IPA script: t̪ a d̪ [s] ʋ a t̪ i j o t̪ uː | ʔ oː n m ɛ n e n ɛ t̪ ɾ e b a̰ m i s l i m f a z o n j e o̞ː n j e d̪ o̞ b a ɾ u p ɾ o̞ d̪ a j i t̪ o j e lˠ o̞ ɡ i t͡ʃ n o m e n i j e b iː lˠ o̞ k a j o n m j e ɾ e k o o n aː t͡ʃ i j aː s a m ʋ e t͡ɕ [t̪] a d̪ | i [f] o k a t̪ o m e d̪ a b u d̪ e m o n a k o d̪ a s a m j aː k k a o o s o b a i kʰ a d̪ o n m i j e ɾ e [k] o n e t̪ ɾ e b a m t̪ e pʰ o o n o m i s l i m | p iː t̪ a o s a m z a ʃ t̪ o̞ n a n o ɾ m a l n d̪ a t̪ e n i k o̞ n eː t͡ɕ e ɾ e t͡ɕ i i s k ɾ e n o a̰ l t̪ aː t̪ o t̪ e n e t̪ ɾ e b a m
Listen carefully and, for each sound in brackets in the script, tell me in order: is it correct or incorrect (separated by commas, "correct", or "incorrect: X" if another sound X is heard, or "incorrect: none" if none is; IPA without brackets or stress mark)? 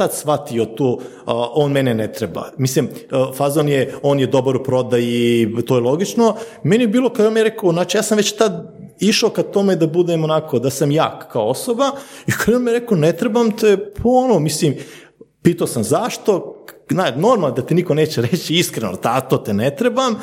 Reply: correct, correct, incorrect: ʃ, correct